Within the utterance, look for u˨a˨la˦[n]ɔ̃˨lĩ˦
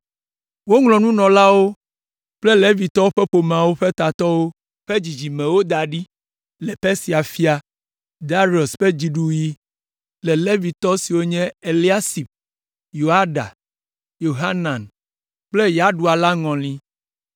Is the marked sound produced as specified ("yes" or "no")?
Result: no